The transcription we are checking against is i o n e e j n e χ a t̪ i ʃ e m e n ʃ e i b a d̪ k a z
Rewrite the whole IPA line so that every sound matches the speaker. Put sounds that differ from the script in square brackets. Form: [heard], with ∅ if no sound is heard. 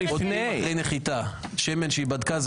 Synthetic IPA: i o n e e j n e χ [i] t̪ [a] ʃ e m e n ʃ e i b a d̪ k a z